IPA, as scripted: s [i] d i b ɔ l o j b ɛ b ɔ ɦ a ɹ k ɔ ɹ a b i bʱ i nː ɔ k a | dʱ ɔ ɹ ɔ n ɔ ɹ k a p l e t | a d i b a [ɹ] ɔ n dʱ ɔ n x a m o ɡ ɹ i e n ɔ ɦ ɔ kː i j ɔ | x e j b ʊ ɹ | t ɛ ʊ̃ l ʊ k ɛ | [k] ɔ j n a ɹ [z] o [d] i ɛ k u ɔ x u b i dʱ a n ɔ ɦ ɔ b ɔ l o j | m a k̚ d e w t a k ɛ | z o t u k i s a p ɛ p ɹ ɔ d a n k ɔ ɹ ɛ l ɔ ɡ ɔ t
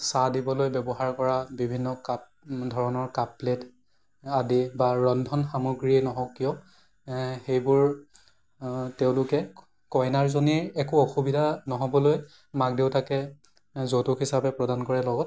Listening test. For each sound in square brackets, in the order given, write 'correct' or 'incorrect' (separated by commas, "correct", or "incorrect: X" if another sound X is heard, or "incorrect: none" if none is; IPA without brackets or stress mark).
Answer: incorrect: a, correct, correct, correct, incorrect: n